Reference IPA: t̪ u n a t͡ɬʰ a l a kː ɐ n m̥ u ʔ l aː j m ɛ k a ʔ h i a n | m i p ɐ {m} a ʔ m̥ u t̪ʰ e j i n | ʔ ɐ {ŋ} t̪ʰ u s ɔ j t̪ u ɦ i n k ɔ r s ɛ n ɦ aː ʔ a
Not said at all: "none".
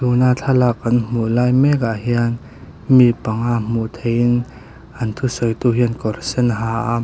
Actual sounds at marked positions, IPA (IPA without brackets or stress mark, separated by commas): ŋ, n